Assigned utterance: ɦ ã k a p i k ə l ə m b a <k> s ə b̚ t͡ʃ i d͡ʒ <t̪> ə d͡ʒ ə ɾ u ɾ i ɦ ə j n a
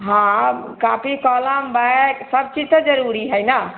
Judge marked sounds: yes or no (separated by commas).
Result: yes, yes